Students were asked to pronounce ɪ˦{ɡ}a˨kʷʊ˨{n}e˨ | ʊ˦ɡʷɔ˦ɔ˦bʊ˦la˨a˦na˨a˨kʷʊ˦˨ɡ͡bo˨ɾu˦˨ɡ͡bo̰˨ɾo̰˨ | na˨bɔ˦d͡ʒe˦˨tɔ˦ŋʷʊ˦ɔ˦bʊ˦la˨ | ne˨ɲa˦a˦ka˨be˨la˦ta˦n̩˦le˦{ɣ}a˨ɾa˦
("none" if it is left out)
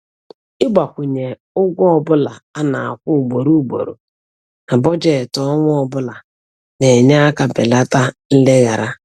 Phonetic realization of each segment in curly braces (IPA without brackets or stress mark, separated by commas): ɡ͡b, ɲ, ɣ